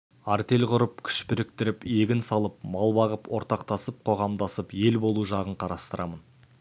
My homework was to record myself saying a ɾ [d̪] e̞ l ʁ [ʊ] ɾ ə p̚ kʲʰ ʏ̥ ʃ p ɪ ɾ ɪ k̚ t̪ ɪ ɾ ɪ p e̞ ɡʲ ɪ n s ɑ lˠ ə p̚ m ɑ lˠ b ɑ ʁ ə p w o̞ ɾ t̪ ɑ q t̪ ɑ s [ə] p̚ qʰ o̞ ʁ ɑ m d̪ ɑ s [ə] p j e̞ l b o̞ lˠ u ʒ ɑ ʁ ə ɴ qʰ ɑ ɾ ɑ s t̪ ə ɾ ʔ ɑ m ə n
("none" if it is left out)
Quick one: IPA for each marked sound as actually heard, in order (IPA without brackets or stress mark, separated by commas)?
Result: t̪, ʊ, ə, ə